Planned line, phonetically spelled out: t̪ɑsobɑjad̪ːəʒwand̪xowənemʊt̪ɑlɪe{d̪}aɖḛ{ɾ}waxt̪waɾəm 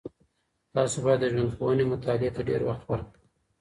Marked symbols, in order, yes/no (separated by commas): no, yes